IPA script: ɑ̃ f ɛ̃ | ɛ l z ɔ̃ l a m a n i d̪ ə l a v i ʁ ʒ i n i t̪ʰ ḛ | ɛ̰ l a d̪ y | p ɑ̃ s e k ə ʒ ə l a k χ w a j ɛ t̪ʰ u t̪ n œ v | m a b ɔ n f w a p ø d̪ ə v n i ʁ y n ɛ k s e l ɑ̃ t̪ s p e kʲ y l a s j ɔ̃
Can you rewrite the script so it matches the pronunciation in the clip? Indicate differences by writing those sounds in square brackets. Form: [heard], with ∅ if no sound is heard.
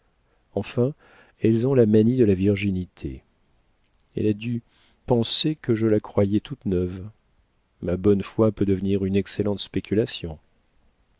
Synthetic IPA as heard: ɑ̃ f ɛ̃ | ɛ l z ɔ̃ l a m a n i d̪ ə l a v i ʁ ʒ i n i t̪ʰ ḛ | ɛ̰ l a d̪ y | p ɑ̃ s e k ə ʒ ə l a k χ w a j ɛ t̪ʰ u t̪ n œ v | m a b ɔ n f w a p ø d̪ ə v n i ʁ y n ɛ k s e l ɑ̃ t̪ s p e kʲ y l a s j ɔ̃

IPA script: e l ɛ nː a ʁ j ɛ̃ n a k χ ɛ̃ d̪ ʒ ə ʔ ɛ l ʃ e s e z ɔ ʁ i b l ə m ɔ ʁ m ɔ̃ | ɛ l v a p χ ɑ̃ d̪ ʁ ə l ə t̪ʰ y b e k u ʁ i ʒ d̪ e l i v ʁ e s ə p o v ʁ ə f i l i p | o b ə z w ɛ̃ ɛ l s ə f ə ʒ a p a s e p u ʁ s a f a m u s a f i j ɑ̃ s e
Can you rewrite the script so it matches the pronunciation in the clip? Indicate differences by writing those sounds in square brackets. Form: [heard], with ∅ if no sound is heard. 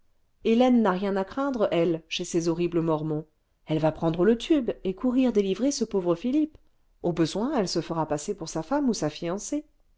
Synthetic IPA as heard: e l ɛ nː a ʁ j ɛ̃ n a k χ ɛ̃ d̪ [ʁ] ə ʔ ɛ l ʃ e s e z ɔ ʁ i b l ə m ɔ ʁ m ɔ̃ | ɛ l v a p χ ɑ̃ d̪ ʁ ə l ə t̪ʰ y b e k u ʁ i [ʁ] d̪ e l i v ʁ e s ə p o v ʁ ə f i l i p | o b ə z w ɛ̃ ɛ l s ə f ə [ʁ] a p a s e p u ʁ s a f a m u s a f i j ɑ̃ s e

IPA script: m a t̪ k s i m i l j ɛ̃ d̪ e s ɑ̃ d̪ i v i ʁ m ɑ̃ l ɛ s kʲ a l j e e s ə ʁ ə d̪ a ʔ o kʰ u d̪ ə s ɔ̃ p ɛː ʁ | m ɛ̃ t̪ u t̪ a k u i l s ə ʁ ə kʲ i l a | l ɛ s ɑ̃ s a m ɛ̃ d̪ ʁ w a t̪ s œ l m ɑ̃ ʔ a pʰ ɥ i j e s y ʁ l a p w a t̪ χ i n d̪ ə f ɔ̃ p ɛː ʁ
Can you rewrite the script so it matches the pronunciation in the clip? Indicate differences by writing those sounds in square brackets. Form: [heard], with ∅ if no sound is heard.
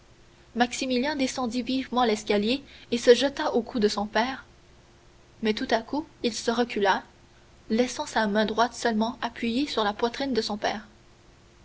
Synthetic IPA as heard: m a [∅] k s i m i l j ɛ̃ d̪ e s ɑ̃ d̪ i v i [v] m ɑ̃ l ɛ s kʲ a l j e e s ə [ʒ] ə [t̪] a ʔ o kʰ u d̪ ə s ɔ̃ p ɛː ʁ | m [ɛ] t̪ u t̪ a k u i l s ə ʁ ə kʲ [y] l a | l ɛ s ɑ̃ s a m ɛ̃ d̪ ʁ w a t̪ s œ l m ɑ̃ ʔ a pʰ ɥ i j e s y ʁ l a p w a t̪ χ i n d̪ ə [s] ɔ̃ p ɛː ʁ

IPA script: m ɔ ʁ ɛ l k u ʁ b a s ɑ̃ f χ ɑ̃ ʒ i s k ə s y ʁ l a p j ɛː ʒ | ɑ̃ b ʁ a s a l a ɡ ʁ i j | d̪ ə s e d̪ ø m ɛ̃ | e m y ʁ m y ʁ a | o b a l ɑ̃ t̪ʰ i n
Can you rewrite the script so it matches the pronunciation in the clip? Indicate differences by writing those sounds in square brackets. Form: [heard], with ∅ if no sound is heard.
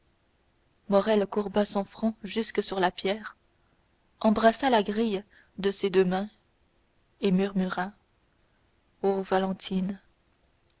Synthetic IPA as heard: m ɔ ʁ ɛ l k u ʁ b a s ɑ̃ f χ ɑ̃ ʒ [y] s k ə s y ʁ l a p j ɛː [ʁ] | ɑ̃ b ʁ a s a l a ɡ ʁ i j | d̪ ə s e d̪ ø m ɛ̃ | e m y ʁ m y ʁ a | o [v] a l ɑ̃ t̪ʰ i n

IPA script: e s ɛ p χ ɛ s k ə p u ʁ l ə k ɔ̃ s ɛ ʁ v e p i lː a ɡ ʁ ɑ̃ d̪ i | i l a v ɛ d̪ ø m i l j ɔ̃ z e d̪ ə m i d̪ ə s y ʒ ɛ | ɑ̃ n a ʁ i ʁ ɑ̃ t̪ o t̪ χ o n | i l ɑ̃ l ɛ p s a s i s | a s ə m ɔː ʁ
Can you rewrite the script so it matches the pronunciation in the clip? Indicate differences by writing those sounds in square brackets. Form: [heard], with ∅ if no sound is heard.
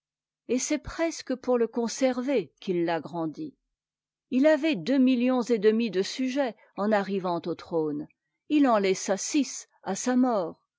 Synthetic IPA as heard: e s ɛ p χ ɛ s k ə p u ʁ l ə k ɔ̃ s ɛ ʁ v e [k] i lː a ɡ ʁ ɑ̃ d̪ i | i l a v ɛ d̪ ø m i l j ɔ̃ z e d̪ ə m i d̪ ə s y ʒ ɛ | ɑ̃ n a ʁ i [v] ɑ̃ t̪ o t̪ χ o n | i l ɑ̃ l ɛ [∅] s a s i s | a s [a] m ɔː ʁ

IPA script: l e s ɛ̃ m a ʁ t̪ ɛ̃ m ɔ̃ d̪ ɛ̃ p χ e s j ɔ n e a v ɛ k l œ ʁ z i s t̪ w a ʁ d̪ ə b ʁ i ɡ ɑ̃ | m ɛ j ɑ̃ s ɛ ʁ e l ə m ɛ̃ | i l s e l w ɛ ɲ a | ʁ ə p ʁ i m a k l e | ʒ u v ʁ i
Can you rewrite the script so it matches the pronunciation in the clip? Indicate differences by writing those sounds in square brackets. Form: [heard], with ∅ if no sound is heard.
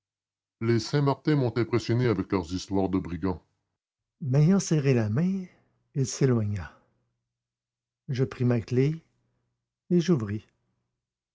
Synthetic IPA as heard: l e s ɛ̃ m a ʁ t̪ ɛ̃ m ɔ̃ [t̪] ɛ̃ p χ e s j ɔ n e a v ɛ k l œ ʁ z i s t̪ w a ʁ d̪ ə b ʁ i ɡ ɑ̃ | m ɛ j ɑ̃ s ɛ ʁ e l [a] m ɛ̃ | i l s e l w [a] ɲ a | [ʒ] ə p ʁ i m a k l e | ʒ u v ʁ i

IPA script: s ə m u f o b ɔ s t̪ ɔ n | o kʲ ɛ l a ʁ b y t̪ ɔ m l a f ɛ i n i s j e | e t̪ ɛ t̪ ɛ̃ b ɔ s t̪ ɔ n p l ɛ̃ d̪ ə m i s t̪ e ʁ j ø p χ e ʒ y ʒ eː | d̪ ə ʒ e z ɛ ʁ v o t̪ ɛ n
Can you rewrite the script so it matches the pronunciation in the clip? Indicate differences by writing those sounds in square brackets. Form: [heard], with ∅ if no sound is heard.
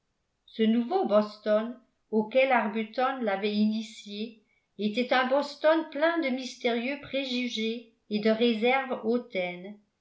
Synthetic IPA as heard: s ə [n] u [v] o b ɔ s t̪ ɔ n | o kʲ ɛ l a ʁ b y t̪ ɔ [n] l a [v] ɛ i n i s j e | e t̪ ɛ t̪ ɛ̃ b ɔ s t̪ ɔ n p l ɛ̃ d̪ ə m i s t̪ e ʁ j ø p χ e ʒ y ʒ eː | d̪ ə [ʁ] e z ɛ ʁ v o t̪ ɛ n

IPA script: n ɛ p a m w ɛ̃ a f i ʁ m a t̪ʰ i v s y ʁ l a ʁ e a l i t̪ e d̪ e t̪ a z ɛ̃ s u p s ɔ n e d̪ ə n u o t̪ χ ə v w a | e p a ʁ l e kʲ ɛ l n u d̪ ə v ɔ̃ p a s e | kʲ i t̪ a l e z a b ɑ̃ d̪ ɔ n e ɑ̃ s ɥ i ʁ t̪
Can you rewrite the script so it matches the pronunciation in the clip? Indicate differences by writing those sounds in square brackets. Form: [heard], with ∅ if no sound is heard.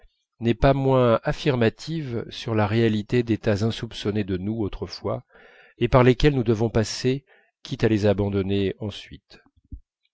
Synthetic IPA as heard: n ɛ p a m w ɛ̃ a f i ʁ m a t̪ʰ i v s y ʁ l a ʁ e a l i t̪ e d̪ e t̪ a z ɛ̃ s u p s ɔ n e d̪ ə n u o t̪ χ ə [f] w a | e p a ʁ l e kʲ ɛ l n u d̪ ə v ɔ̃ p a s e | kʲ i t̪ a l e z a b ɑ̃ d̪ ɔ n e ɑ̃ s ɥ i [∅] t̪

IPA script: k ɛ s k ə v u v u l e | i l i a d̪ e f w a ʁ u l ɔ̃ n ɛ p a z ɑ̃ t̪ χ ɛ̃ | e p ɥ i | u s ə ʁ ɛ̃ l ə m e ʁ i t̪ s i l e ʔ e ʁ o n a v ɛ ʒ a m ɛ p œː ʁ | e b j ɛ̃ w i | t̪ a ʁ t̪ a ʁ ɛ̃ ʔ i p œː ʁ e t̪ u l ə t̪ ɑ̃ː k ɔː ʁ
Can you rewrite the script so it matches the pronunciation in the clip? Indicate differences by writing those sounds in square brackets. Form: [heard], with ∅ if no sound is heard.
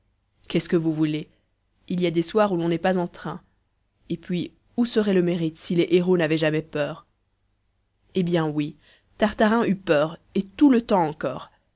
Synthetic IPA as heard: k ɛ s k ə v u v u l e | i l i a d̪ e [s] w a ʁ u l ɔ̃ n ɛ p a z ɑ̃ t̪ χ ɛ̃ | e p ɥ i | u s ə ʁ [ɛ] l ə m e ʁ i t̪ s i l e ʔ e ʁ o n a v ɛ ʒ a m ɛ p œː ʁ | e b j ɛ̃ w i | t̪ a ʁ t̪ a ʁ ɛ̃ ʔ [y] p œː ʁ e t̪ u l ə t̪ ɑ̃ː k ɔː ʁ

